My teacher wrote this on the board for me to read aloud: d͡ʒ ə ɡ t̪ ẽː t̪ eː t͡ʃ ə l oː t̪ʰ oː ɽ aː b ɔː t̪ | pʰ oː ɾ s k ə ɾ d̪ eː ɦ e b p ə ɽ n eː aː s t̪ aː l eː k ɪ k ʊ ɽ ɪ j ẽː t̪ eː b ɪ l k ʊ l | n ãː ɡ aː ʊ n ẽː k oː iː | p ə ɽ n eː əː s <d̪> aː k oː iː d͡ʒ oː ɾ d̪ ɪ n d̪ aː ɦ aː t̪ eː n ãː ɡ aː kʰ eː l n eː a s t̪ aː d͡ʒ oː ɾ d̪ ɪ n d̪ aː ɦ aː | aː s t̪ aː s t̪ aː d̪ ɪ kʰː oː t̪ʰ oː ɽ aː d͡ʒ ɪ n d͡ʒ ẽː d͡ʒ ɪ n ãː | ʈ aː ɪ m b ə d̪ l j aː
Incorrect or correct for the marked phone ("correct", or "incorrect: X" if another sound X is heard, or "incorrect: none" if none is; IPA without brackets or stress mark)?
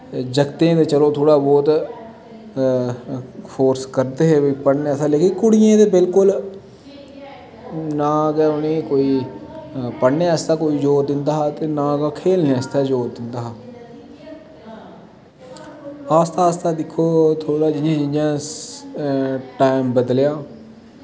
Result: incorrect: t̪